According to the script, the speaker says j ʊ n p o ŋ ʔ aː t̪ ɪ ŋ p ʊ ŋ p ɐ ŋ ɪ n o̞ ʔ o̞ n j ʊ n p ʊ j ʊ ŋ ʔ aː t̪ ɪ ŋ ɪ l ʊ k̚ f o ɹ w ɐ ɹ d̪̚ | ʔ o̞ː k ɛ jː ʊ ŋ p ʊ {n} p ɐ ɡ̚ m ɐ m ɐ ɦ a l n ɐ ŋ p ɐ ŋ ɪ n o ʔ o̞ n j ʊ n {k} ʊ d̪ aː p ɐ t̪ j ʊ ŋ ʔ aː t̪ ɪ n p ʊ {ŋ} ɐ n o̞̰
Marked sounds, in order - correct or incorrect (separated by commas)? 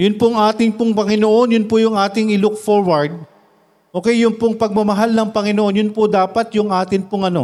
incorrect, incorrect, correct